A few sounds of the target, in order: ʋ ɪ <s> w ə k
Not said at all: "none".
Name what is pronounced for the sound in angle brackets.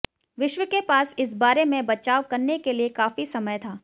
ʃ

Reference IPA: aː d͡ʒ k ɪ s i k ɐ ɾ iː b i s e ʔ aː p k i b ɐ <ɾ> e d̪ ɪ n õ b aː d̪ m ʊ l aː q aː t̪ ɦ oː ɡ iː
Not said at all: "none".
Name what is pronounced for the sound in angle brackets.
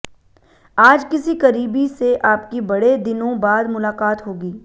ɽ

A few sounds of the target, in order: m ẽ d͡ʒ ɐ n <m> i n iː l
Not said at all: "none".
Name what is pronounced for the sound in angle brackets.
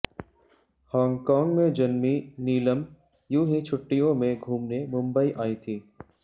m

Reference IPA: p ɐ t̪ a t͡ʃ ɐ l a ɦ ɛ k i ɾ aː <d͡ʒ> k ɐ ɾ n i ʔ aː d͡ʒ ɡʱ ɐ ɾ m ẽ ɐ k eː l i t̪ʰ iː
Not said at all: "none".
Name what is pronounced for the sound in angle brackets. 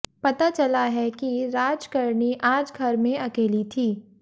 d͡ʒ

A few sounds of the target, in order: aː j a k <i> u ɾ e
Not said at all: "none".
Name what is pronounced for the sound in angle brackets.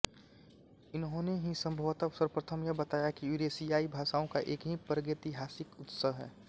i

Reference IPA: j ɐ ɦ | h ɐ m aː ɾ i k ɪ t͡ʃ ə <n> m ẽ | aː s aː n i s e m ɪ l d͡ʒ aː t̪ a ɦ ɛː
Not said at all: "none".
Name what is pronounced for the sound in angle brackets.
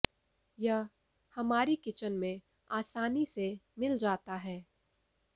n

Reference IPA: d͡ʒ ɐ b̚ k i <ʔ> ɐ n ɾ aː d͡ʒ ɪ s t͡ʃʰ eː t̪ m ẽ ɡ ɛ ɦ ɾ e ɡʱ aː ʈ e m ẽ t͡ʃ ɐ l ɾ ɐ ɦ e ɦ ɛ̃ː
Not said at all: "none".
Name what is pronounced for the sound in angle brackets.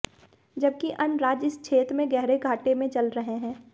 ʔ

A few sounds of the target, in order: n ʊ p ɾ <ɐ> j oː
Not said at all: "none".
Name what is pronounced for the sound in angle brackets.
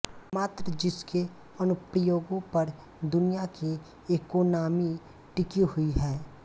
ə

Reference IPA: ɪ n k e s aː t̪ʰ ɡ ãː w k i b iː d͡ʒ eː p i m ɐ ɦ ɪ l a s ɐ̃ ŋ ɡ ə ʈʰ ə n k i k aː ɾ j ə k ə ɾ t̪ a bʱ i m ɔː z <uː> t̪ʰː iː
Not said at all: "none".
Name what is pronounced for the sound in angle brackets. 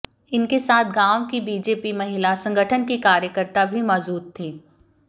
uː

